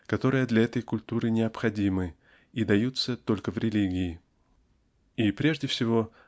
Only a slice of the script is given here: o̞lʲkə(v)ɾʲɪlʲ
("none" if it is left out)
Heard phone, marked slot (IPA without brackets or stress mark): v